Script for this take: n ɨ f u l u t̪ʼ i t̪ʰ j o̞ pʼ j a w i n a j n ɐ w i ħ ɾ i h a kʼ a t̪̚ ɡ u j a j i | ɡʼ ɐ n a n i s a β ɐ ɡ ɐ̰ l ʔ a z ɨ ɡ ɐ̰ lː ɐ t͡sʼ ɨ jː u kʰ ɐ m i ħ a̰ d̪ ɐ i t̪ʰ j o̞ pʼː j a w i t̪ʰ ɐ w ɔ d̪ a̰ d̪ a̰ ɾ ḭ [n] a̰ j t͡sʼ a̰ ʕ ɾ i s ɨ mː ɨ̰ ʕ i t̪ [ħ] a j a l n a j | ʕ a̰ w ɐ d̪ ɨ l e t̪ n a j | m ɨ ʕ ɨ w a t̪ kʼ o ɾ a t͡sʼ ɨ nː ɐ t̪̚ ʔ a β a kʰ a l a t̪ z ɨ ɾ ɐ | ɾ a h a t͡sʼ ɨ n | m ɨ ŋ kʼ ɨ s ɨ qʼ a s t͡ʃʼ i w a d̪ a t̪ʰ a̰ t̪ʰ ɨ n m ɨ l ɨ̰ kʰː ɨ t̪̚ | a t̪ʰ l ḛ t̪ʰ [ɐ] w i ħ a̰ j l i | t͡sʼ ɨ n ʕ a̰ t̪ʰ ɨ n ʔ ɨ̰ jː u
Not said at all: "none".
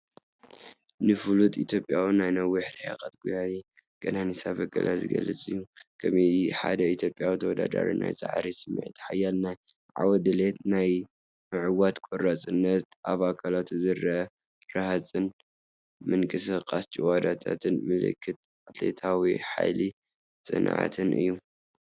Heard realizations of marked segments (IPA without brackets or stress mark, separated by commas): n, ħ, a